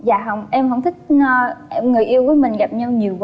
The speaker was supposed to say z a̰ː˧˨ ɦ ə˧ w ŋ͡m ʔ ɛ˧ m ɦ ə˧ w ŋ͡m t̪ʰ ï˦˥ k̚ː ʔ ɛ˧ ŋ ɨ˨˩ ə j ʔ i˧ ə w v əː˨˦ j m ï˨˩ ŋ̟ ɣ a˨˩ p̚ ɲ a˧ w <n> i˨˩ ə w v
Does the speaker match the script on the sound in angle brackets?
no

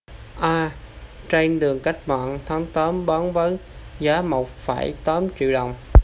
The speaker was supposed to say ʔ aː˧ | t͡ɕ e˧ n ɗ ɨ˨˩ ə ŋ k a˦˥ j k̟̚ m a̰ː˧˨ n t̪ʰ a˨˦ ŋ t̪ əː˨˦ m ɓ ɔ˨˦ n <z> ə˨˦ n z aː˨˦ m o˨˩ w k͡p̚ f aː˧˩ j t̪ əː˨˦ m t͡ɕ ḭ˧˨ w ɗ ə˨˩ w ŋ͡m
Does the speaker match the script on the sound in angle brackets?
no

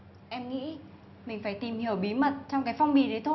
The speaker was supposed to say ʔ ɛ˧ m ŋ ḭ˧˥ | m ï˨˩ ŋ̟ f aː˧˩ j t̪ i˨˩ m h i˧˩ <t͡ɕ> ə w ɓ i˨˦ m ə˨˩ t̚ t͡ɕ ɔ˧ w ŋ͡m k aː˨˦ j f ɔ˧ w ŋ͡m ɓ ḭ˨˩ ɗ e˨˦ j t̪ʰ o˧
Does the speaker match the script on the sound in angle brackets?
no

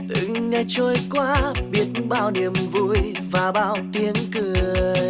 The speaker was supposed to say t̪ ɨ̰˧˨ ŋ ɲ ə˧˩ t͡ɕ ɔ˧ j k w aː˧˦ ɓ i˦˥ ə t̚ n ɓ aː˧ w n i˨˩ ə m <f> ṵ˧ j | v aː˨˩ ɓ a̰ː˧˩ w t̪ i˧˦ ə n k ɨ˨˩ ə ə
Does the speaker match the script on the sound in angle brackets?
no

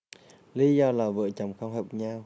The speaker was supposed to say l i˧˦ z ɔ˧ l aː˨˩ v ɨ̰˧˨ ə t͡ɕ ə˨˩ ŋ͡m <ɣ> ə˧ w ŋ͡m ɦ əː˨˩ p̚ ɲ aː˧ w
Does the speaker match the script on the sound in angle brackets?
no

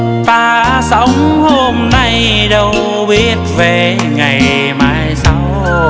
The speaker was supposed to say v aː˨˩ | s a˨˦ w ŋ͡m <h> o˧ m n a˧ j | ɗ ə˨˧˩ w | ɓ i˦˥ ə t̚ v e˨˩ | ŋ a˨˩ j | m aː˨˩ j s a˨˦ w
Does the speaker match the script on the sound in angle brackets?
yes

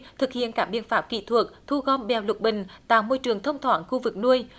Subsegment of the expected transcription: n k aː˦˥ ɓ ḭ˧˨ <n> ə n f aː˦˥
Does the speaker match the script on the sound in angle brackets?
no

